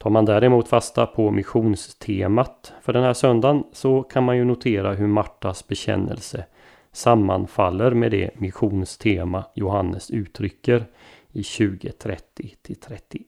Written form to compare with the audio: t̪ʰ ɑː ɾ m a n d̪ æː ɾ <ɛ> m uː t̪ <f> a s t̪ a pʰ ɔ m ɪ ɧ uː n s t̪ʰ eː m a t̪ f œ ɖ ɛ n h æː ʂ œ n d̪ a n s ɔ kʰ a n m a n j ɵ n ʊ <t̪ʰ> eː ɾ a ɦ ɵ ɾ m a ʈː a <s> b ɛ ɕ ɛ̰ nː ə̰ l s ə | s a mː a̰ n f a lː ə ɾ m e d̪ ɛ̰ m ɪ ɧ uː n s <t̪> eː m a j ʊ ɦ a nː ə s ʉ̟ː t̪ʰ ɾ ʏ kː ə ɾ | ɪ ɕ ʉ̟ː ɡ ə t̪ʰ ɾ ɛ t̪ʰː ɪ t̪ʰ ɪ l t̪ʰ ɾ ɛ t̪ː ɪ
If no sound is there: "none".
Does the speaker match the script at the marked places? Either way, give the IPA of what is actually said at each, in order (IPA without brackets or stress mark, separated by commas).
ɛ, f, t̪ʰ, s, t̪ʰ